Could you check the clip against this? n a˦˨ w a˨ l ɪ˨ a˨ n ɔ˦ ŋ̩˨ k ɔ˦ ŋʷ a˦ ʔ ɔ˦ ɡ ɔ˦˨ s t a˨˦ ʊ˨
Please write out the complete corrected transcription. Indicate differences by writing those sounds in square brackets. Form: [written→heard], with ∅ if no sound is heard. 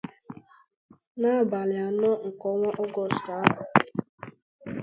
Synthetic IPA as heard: n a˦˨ [w→b] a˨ l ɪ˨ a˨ n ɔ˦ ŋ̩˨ k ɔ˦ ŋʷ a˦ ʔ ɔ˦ ɡ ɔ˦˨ s t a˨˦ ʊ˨